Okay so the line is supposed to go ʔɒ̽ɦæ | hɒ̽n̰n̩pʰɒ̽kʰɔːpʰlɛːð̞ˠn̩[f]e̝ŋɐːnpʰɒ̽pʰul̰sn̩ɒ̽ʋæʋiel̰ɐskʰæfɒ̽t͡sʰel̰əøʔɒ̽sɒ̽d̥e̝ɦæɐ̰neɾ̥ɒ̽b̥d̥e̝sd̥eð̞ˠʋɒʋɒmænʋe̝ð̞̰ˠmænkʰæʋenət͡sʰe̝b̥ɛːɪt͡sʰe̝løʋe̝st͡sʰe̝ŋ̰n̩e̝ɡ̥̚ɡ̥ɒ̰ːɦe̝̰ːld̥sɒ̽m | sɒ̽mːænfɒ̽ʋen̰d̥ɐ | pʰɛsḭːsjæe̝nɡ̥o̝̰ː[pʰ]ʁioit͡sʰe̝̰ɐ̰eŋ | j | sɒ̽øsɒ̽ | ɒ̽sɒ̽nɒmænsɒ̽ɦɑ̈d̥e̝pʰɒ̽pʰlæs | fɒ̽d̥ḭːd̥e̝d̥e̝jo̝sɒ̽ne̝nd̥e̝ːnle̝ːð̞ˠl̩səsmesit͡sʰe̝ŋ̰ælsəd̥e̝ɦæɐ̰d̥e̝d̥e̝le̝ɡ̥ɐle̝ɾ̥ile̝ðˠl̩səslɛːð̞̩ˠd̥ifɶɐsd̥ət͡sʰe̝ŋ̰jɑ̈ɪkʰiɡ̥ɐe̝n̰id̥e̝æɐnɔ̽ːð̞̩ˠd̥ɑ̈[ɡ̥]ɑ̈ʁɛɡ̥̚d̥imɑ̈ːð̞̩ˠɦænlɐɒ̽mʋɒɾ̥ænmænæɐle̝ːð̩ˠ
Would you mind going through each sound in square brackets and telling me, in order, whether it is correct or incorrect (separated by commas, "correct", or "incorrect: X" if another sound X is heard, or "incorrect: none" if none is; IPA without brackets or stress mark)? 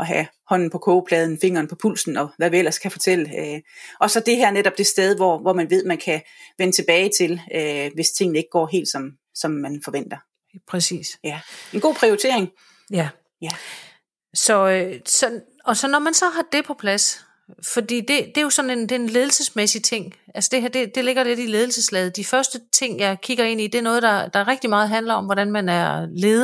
correct, correct, incorrect: d̥